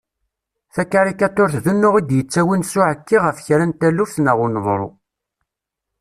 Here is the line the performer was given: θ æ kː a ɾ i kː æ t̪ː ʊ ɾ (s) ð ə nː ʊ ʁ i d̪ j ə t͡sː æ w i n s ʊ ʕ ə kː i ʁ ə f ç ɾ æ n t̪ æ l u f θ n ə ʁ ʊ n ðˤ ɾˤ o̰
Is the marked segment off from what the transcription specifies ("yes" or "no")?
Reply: yes